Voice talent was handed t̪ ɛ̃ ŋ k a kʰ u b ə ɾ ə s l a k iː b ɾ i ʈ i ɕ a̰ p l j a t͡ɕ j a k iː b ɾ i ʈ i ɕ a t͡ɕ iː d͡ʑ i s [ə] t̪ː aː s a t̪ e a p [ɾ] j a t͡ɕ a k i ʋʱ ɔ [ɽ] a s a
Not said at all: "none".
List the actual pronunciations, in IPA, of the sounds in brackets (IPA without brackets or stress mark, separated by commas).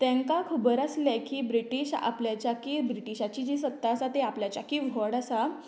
ə, l, ɽ